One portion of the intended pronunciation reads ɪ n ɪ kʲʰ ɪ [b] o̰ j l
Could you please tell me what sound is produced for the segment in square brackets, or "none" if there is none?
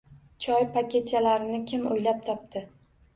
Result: m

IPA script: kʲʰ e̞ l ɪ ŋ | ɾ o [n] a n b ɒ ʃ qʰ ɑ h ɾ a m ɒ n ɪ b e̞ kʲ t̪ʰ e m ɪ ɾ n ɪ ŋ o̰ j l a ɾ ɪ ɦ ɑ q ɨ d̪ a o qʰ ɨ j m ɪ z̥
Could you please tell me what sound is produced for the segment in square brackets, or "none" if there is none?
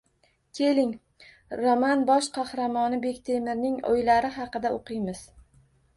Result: m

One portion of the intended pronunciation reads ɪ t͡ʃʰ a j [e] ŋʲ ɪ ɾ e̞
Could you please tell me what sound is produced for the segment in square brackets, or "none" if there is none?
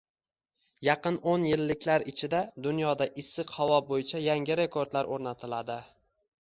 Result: a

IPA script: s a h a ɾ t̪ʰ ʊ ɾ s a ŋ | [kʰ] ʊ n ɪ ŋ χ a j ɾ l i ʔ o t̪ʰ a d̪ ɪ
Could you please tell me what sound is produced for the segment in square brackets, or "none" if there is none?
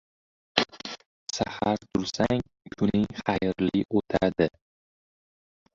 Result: kʰ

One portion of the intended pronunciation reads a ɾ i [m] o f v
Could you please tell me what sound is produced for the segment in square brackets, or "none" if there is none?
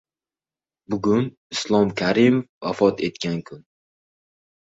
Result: m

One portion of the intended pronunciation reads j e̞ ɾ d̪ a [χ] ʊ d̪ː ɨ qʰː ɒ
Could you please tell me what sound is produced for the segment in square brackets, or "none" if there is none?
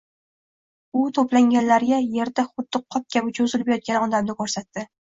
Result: χ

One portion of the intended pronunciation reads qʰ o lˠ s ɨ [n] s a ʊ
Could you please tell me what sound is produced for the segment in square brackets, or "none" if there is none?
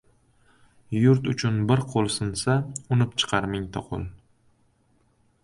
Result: n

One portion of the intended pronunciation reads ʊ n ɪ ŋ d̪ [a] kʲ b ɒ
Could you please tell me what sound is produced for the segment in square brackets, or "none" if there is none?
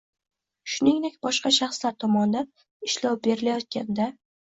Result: e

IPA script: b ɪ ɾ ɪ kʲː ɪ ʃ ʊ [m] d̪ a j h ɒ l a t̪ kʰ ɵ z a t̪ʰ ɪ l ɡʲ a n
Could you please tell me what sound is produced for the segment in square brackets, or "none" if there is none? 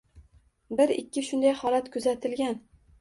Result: n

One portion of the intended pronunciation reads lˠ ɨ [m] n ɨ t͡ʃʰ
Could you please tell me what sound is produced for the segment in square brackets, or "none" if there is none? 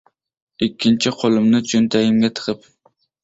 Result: m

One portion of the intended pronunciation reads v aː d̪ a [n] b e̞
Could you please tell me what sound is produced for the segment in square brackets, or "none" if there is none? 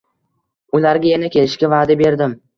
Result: none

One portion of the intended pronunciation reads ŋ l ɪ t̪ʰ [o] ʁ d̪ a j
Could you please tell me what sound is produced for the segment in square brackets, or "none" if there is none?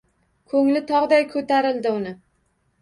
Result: ɒ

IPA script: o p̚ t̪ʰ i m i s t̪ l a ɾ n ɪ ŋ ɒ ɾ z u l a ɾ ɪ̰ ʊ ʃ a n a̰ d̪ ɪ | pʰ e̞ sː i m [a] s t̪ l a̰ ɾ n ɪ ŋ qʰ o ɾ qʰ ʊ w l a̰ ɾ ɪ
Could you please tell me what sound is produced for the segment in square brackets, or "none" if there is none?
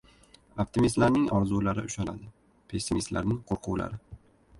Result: i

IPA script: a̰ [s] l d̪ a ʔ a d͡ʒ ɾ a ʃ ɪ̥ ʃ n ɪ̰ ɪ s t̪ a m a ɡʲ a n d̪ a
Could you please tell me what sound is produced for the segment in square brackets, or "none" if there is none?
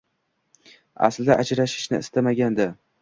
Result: s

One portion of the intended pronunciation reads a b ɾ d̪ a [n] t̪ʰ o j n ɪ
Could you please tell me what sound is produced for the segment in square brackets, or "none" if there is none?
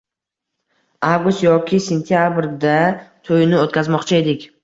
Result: none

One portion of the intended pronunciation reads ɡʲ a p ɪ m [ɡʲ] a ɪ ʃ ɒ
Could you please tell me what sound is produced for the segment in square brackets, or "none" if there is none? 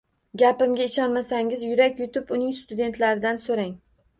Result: ɡʲ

